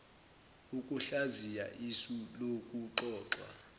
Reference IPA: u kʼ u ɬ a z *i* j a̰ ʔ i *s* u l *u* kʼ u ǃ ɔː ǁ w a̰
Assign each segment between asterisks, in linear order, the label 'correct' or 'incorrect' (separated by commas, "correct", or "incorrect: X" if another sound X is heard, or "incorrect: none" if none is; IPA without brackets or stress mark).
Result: correct, correct, incorrect: o